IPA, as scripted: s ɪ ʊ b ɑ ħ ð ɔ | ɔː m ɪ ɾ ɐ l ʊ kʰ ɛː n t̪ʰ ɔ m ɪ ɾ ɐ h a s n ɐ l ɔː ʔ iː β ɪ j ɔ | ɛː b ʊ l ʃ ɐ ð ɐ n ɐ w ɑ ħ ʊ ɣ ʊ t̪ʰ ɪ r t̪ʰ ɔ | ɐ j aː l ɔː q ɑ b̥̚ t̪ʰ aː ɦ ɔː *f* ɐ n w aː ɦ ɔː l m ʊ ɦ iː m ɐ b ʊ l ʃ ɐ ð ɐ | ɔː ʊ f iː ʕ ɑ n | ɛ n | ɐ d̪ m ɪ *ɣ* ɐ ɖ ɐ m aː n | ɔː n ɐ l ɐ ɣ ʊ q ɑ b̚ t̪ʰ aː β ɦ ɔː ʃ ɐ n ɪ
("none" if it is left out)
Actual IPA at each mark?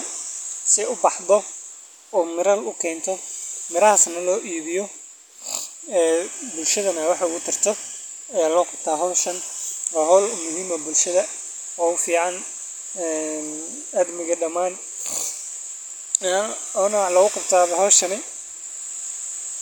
ʃ, ɣ

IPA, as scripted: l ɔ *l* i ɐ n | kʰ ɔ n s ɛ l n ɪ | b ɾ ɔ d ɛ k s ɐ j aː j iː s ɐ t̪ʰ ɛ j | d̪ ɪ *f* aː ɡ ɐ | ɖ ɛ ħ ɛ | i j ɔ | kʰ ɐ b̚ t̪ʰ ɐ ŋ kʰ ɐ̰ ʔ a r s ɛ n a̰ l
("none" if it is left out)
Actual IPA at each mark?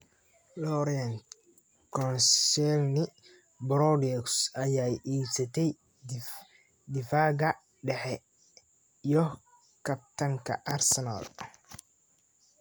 ɾ, f

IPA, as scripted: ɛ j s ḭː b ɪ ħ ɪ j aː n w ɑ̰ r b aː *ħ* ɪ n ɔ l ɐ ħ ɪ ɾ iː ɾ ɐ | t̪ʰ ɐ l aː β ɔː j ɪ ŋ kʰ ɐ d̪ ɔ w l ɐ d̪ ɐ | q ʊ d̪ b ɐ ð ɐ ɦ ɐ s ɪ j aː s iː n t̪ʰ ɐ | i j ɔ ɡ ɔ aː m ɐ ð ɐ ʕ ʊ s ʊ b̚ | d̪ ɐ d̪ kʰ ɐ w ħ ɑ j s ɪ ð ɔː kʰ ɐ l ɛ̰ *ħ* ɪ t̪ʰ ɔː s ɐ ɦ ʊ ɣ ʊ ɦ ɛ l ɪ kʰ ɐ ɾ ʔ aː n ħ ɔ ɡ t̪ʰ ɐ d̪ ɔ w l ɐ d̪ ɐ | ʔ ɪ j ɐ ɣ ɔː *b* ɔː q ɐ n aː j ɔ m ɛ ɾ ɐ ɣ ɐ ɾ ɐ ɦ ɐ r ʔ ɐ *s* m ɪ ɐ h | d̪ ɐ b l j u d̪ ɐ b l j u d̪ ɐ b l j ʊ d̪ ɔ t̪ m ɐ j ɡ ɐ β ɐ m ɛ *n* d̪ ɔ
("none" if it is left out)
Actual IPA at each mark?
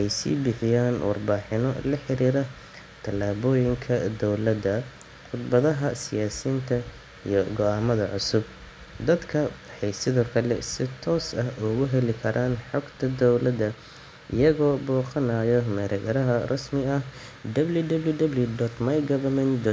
ħ, s, b, s, n

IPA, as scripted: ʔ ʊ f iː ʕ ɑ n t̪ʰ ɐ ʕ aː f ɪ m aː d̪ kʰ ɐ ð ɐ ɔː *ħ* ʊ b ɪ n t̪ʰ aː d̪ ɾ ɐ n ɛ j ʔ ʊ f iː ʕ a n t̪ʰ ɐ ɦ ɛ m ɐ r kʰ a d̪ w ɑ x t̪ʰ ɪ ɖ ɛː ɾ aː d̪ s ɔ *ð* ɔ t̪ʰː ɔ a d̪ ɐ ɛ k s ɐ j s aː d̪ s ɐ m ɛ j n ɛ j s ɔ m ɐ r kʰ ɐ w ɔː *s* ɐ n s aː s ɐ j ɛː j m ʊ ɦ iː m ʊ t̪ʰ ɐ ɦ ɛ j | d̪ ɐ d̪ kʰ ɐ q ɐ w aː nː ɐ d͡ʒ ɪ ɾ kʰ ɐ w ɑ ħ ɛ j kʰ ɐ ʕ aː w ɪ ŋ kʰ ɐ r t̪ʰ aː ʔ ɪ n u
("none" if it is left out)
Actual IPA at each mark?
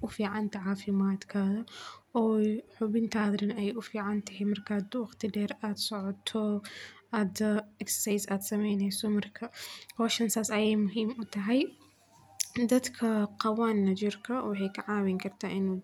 ħ, ʕ, ʃ

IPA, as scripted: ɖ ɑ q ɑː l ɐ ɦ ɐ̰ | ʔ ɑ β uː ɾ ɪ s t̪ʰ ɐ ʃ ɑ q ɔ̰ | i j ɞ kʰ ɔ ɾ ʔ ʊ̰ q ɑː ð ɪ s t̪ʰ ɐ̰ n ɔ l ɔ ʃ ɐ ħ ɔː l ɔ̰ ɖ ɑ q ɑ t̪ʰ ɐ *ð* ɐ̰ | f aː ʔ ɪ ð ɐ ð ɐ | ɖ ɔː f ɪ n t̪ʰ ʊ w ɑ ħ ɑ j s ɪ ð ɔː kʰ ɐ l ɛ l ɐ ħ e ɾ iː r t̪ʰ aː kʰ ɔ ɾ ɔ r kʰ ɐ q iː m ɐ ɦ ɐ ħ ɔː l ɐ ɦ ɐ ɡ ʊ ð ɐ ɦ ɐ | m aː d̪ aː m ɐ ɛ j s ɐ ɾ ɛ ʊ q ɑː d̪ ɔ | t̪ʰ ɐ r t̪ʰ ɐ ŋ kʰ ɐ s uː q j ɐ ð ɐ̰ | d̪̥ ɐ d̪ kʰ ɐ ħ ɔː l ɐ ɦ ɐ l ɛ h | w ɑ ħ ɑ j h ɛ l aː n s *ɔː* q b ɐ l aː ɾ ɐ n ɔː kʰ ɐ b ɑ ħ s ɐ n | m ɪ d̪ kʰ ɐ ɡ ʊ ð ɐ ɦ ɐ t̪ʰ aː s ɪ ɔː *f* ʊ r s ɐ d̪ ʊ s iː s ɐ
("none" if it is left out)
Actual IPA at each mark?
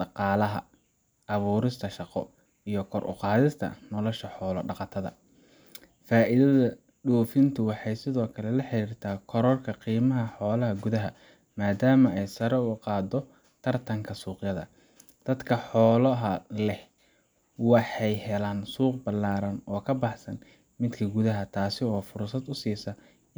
ð, uː, f

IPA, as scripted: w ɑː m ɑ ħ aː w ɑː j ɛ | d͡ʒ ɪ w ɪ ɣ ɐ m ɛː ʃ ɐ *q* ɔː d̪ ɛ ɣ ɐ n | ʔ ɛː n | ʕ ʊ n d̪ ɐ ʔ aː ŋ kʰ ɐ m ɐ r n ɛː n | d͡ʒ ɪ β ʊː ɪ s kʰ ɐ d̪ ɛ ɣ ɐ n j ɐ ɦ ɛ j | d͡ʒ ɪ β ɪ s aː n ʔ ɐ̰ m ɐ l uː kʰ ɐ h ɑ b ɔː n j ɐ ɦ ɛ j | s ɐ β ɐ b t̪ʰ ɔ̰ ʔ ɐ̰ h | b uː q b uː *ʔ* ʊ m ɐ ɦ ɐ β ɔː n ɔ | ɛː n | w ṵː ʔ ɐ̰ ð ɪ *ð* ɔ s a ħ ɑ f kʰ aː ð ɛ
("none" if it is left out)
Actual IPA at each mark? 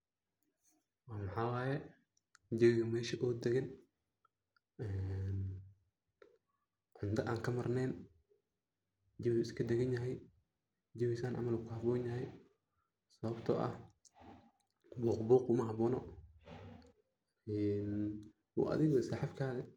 ʔ, q, ɣ

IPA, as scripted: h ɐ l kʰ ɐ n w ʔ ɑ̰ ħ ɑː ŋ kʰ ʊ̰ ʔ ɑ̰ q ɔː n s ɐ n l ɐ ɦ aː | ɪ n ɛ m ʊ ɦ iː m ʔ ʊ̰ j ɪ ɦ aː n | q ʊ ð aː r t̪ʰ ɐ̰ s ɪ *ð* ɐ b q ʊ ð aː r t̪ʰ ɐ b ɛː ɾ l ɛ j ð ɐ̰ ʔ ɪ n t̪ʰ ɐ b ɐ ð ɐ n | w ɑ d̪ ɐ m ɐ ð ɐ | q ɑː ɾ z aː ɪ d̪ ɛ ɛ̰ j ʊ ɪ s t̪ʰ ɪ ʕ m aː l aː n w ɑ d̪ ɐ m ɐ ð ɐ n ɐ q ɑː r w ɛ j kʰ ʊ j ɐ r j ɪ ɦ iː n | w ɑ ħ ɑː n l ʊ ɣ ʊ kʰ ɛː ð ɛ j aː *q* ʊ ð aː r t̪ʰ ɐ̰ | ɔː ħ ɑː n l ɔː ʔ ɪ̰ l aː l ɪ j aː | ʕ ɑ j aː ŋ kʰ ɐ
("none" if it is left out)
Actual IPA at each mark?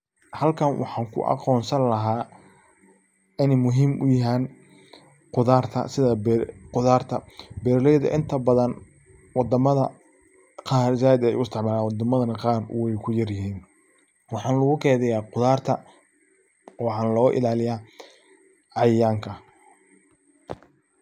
ð, q

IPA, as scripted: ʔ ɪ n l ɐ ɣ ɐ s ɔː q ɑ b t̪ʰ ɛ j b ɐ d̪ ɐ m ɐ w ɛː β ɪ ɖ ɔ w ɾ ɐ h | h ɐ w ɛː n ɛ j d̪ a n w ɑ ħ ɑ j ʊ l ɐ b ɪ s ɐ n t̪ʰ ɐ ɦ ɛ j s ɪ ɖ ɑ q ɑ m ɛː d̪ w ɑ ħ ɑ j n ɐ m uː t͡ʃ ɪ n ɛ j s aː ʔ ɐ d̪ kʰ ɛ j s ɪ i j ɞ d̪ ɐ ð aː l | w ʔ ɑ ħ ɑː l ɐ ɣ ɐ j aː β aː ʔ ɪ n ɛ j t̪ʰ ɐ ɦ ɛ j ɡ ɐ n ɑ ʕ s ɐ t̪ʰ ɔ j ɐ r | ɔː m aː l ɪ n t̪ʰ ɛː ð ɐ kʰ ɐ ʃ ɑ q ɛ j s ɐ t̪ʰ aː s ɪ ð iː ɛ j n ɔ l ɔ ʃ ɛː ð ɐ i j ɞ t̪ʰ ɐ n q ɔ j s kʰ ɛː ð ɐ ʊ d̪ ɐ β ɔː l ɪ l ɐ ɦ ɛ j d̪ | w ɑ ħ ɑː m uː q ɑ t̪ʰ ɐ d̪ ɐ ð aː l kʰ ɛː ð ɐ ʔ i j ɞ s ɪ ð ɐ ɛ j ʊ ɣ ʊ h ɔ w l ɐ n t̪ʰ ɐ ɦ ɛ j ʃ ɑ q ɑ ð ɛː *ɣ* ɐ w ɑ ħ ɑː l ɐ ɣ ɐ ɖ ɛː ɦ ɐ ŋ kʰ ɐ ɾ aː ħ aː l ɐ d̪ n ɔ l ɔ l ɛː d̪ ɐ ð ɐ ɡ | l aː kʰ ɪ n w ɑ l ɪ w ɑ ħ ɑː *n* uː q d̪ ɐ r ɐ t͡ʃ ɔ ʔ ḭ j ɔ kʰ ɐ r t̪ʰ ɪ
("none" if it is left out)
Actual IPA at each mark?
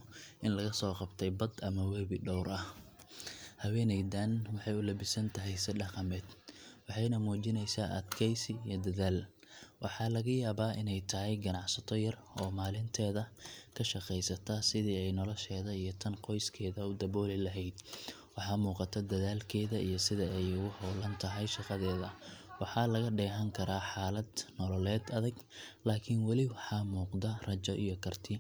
ð, m

